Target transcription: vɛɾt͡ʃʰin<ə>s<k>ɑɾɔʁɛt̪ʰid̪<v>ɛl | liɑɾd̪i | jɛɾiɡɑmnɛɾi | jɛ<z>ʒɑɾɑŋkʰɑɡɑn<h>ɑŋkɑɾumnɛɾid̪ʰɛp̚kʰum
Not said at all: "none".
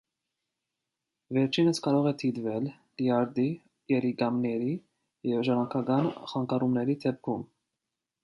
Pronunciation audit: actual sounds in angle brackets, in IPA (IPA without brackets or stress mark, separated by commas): ə, k, v, v, χ